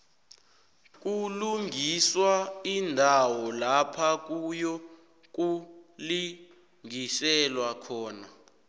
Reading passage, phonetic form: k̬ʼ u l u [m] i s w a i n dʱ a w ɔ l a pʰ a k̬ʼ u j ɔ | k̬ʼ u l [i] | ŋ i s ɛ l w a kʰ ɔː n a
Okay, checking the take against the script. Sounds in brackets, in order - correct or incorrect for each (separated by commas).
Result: incorrect, correct